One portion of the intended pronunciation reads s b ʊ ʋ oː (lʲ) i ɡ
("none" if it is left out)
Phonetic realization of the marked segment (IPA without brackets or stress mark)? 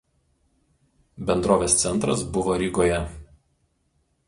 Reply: ɾʲ